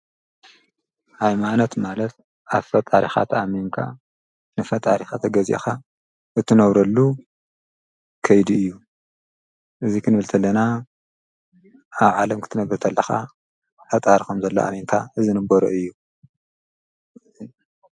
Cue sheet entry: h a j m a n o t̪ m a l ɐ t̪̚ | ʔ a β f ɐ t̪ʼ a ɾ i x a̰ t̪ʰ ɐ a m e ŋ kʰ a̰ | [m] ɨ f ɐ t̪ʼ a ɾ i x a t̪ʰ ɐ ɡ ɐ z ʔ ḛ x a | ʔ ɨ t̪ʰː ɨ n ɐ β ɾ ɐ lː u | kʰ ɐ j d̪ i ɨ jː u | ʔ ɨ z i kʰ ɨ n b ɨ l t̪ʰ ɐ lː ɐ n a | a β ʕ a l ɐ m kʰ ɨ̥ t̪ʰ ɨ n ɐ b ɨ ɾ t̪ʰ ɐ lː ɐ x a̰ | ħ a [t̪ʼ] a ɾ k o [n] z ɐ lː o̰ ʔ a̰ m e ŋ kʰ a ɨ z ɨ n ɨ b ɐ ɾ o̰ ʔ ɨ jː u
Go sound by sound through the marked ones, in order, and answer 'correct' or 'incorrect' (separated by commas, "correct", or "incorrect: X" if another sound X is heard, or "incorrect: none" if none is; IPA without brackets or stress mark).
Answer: incorrect: n, correct, incorrect: m